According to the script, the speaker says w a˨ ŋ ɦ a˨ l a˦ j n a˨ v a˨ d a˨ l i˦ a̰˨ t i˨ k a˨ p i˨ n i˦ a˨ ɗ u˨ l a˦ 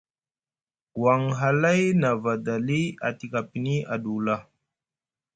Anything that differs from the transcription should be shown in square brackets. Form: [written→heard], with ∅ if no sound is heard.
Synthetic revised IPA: w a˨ ŋ ɦ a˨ l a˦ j n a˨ v a˨ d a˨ l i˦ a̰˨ t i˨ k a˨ p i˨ n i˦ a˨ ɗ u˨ l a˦